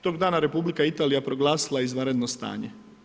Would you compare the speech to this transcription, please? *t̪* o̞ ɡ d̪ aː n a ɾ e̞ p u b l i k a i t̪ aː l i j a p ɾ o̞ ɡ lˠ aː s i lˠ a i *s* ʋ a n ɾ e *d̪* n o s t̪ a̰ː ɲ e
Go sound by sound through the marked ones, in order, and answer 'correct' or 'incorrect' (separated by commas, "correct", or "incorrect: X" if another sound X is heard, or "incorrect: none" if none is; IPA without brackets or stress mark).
correct, incorrect: z, correct